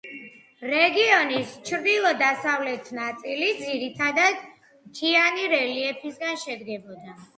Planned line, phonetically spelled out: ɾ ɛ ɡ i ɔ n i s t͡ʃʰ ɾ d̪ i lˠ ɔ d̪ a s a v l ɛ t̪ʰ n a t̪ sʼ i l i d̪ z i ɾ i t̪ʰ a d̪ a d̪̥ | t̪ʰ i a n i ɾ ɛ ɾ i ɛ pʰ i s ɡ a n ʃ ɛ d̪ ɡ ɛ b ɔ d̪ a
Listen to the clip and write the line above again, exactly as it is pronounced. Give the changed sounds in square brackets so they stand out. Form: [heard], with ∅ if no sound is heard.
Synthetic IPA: ɾ ɛ ɡ i ɔ n i s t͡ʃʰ ɾ d̪ i lˠ ɔ d̪ a s a v l ɛ t̪ʰ n a t̪ sʼ i l i d̪ z i ɾ i t̪ʰ a d̪ a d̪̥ | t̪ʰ i a n i ɾ ɛ [l] i ɛ pʰ i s ɡ a n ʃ ɛ d̪ ɡ ɛ b ɔ d̪ a